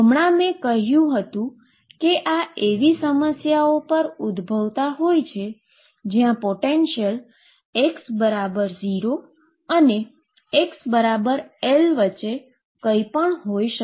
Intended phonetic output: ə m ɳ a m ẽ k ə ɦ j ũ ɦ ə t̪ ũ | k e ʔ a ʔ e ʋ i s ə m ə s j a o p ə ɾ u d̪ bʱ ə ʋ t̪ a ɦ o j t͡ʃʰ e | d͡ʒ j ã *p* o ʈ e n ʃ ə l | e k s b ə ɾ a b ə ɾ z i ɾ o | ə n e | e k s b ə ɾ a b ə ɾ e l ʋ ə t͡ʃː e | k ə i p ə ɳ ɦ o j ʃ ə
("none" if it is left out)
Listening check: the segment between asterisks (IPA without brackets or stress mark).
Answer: p